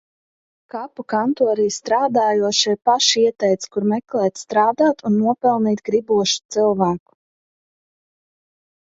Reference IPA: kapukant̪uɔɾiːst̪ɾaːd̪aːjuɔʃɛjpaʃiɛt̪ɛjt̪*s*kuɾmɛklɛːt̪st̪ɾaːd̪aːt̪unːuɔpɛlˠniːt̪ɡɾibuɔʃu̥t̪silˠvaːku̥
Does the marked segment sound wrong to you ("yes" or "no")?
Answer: no